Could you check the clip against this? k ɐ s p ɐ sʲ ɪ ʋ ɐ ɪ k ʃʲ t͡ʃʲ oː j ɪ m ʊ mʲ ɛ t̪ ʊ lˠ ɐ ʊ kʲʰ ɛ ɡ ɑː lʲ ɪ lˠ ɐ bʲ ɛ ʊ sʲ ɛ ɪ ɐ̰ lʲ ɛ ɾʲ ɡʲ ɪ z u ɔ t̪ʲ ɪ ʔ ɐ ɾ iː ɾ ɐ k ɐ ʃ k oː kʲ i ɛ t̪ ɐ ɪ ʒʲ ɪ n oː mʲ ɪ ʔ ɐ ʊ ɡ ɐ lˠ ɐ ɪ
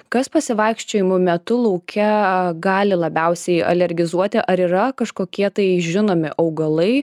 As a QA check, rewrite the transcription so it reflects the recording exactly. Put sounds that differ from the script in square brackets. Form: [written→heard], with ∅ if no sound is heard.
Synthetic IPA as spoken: k ɐ s p ɐ sʲ ɪ ʋ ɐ ɪ k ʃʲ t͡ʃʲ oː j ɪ m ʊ mʲ ɛ t̪ ʊ lˠ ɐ ʊ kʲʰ ɛ ɡ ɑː lʲ ɪ lˠ ɐ bʲ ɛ ʊ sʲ ɛ ɪ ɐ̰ lʲ ɛ ɾʲ ɡʲ ɪ z u ɔ t̪ʲ ɪ ʔ ɐ ɾ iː ɾ ɐ k ɐ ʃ k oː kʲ i ɛ t̪ ɐ ɪ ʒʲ ɪ n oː mʲ ɪ ʔ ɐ ʊ ɡ ɐ lˠ ɐ ɪ